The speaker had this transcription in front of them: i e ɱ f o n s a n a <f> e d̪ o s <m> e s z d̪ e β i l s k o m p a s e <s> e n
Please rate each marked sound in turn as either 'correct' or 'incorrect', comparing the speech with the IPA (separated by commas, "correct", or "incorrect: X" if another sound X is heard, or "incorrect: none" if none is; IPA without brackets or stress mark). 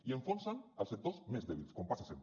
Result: incorrect: s, correct, correct